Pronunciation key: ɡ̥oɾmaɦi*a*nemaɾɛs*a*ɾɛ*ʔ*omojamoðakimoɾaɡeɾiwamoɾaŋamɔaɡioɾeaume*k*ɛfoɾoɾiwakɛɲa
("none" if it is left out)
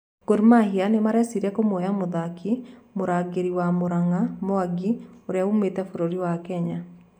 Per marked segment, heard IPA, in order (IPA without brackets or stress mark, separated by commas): a, i, k, t